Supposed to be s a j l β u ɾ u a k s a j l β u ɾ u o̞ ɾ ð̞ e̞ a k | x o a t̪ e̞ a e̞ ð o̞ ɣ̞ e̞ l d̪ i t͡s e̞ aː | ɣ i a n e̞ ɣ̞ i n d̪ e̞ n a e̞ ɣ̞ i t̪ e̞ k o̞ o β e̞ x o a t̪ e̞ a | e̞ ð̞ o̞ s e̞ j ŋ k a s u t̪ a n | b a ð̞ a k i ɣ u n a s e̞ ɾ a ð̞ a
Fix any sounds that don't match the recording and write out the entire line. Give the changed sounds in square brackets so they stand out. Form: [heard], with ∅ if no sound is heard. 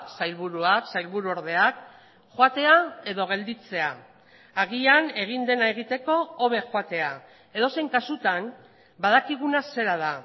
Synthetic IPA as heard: s a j l β u ɾ u a k s a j l β u ɾ u o̞ ɾ ð̞ e̞ a k | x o a t̪ e̞ a e̞ ð o̞ ɣ̞ e̞ l d̪ i t͡s e̞ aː | ɣ i a n e̞ ɣ̞ i n d̪ e̞ n a e̞ ɣ̞ i t̪ e̞ k o̞ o β e̞ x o a t̪ e̞ a | e̞ ð̞ o̞ s e̞ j ŋ k a s u t̪ a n | b a ð̞ a k i ɣ u n a s e̞ ɾ a ð̞ a